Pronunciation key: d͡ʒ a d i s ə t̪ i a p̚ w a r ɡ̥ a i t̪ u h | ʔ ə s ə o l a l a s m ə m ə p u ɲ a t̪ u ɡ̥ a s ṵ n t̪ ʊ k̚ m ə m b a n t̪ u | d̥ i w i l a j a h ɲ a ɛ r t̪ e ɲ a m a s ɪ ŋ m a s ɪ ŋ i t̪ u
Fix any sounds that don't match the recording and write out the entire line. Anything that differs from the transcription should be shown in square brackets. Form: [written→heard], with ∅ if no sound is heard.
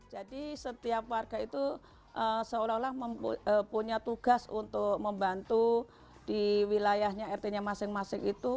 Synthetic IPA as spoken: d͡ʒ a d i s ə t̪ i a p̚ w a r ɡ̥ a i t̪ u [h→∅] | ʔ ə s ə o l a l a [s→h] m ə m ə p u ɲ a t̪ u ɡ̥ a s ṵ n t̪ ʊ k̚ m ə m b a n t̪ u | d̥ i w i l a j a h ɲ a ɛ r t̪ e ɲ a m a s ɪ ŋ m a s ɪ ŋ i t̪ u